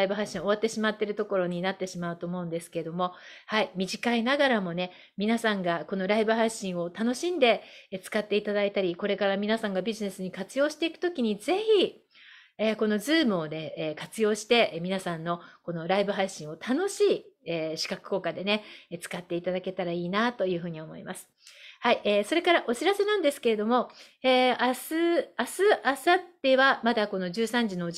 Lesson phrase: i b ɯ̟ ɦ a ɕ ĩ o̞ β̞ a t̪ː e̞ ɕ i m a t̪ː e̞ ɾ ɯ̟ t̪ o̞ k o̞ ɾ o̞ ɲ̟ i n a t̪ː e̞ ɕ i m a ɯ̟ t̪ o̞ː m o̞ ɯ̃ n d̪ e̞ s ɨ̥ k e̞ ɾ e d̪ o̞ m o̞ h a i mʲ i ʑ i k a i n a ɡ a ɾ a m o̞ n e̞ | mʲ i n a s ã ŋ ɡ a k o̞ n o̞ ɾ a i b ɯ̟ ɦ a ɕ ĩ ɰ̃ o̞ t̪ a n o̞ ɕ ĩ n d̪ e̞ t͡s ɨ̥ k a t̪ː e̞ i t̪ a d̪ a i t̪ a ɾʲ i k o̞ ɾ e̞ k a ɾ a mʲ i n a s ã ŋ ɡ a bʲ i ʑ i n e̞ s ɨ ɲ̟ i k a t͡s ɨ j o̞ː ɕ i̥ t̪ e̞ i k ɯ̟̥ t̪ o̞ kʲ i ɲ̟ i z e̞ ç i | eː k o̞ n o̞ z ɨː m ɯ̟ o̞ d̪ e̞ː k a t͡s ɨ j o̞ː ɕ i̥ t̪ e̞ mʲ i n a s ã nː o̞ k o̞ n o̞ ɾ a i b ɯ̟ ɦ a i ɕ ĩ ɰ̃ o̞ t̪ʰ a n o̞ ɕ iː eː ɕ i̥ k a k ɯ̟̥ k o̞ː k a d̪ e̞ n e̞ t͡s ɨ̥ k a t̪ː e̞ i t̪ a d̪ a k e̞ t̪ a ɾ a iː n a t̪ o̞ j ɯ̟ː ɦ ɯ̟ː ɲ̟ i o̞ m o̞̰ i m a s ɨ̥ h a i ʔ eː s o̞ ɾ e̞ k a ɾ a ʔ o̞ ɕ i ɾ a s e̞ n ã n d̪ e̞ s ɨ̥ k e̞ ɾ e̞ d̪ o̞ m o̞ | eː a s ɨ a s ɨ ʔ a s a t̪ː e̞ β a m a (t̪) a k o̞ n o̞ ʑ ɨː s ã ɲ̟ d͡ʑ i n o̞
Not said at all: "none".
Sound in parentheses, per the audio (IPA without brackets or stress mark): d̪